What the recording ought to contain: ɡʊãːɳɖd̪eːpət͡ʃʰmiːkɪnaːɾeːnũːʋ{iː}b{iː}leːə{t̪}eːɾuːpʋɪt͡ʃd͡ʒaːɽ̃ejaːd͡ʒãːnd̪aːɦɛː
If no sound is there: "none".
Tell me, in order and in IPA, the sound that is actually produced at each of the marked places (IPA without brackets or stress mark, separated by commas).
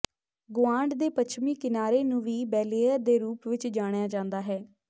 iː, ɛː, d̪